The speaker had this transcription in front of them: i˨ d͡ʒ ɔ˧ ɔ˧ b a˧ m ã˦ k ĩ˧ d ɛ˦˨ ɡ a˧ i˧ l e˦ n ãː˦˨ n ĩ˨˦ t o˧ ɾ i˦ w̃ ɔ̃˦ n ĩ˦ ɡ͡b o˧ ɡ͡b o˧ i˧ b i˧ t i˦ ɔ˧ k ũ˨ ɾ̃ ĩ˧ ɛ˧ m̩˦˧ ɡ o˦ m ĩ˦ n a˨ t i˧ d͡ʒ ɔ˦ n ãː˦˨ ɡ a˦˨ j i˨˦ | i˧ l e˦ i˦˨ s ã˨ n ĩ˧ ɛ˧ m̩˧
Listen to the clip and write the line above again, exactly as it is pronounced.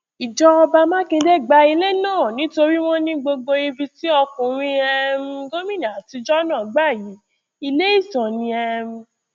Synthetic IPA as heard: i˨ d͡ʒ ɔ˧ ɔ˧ b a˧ m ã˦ k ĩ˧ d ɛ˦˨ ɡ͡b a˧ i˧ l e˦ n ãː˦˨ n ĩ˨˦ t o˧ ɾ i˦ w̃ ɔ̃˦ n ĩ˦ ɡ͡b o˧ ɡ͡b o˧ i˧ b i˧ t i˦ ɔ˧ k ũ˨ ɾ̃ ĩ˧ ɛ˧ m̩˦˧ ɡ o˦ m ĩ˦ n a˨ t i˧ d͡ʒ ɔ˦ n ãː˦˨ ɡ͡b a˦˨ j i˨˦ | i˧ l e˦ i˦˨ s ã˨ n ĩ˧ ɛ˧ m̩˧